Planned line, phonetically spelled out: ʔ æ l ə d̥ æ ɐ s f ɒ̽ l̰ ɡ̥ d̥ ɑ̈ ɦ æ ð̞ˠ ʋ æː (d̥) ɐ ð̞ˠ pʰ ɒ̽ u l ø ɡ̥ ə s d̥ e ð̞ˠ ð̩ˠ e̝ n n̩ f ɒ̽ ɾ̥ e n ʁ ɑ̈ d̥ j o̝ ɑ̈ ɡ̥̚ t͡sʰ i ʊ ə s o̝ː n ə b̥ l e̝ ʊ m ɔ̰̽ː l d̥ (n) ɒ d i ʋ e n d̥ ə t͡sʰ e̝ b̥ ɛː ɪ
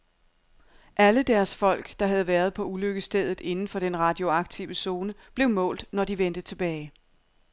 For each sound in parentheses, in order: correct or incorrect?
incorrect: none, correct

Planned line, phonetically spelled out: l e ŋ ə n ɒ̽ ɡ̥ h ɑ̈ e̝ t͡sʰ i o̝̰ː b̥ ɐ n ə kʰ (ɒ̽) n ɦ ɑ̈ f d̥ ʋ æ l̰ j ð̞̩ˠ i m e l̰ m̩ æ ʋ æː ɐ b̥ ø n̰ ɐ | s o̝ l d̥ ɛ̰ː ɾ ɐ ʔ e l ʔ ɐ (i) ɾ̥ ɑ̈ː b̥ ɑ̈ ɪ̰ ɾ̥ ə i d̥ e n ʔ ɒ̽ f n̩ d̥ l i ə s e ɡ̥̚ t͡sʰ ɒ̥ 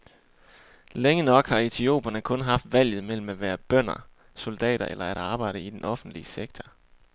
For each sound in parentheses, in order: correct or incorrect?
incorrect: ɔ̽, incorrect: æ

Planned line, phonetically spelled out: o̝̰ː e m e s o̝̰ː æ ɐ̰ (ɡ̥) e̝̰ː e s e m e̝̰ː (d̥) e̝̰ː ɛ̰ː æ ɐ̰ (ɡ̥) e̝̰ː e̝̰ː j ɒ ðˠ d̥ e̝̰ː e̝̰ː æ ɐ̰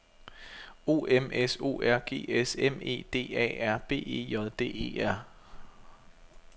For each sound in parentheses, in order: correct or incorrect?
correct, correct, incorrect: b̥

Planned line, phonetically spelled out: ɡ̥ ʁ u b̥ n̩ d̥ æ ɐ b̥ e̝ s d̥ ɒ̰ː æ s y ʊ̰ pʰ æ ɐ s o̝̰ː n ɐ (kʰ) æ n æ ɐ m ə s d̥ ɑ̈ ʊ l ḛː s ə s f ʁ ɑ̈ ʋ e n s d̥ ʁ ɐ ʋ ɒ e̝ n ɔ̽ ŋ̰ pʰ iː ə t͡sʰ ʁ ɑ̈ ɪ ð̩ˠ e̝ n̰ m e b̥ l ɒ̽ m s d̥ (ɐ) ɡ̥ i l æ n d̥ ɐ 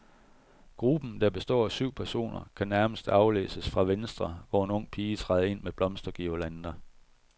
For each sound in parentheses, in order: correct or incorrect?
correct, correct

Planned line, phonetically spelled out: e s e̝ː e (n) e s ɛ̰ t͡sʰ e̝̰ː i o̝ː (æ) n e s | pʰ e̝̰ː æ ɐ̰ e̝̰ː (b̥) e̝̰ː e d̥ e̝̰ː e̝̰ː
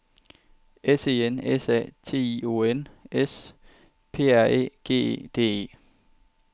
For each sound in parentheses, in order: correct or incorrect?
correct, incorrect: e, incorrect: ɡ̥

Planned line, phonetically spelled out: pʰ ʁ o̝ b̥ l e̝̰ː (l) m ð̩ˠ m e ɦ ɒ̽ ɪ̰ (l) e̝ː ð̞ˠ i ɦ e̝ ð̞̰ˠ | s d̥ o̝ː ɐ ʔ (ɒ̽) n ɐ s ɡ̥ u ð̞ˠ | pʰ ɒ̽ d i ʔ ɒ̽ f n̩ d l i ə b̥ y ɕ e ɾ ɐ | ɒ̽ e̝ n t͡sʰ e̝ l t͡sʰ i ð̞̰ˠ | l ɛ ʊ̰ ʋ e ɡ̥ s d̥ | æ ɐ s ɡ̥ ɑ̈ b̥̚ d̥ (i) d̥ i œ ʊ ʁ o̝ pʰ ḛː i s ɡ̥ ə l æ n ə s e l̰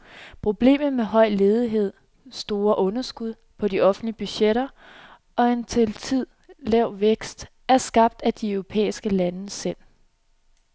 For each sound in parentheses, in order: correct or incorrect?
incorrect: none, correct, incorrect: ɔ̽, incorrect: æ

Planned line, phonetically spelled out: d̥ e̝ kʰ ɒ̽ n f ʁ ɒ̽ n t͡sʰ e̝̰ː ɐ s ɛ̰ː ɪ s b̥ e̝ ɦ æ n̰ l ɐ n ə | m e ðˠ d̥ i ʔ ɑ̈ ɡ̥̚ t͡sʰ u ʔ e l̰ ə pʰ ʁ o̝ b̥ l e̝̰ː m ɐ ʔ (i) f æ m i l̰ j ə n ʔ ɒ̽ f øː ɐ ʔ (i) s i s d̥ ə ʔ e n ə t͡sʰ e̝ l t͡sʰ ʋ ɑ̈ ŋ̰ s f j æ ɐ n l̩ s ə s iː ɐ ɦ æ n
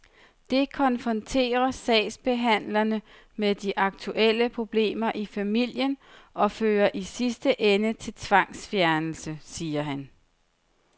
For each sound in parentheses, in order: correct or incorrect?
correct, correct

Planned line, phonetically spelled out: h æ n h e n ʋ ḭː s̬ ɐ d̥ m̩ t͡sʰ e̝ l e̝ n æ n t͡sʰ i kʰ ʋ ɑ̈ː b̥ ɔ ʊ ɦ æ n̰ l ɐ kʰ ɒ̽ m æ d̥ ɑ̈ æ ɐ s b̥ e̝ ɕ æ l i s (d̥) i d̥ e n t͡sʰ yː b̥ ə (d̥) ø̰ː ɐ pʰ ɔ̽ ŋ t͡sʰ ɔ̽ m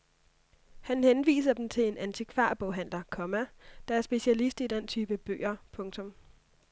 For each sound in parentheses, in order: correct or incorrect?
correct, incorrect: b̥

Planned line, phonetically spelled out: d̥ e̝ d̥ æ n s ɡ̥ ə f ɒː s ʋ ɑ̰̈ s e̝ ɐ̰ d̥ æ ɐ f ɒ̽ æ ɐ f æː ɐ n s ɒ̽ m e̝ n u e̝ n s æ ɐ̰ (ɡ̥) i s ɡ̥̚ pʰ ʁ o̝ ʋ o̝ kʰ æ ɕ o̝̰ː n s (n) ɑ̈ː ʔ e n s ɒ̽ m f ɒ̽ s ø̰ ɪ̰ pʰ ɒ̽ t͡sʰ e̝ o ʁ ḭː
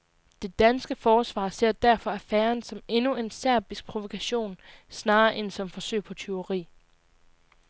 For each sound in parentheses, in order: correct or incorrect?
incorrect: b̥, correct

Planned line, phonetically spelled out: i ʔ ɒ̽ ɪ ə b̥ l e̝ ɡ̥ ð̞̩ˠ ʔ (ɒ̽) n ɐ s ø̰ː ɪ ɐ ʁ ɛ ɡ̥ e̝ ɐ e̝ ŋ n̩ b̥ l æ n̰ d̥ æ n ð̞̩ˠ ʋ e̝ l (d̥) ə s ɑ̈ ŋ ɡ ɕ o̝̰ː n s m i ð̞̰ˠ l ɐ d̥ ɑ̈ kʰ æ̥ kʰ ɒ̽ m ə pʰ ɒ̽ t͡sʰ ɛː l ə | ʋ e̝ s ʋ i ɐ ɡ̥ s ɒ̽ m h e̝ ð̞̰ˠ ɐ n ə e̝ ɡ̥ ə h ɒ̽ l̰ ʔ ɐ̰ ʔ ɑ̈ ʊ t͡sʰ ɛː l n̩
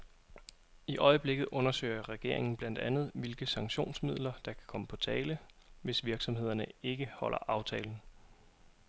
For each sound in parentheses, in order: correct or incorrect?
incorrect: ɔ̽, incorrect: ɡ̥

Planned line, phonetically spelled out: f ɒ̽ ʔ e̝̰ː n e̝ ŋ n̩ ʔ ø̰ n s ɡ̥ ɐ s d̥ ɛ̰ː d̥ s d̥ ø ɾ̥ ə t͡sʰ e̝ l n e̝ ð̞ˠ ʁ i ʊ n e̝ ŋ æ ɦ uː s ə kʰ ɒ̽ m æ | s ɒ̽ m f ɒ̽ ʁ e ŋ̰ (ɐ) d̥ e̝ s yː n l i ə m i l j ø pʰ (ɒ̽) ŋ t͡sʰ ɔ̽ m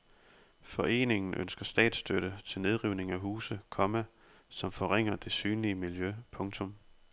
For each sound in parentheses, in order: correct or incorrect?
correct, incorrect: ɔ̽

